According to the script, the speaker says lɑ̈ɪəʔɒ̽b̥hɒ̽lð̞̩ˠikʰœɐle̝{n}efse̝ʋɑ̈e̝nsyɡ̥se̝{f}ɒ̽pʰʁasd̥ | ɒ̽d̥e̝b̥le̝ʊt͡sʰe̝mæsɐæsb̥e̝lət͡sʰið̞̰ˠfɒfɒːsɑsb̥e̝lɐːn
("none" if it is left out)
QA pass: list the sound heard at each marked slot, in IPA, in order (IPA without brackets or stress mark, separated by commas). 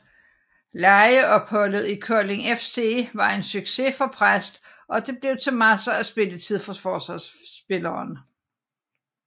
ŋ, f